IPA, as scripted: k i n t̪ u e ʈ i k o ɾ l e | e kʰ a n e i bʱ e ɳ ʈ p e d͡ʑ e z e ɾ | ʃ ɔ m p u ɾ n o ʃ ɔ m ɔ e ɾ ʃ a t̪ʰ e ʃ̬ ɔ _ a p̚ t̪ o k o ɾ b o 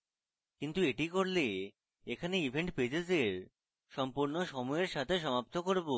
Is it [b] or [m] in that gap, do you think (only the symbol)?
m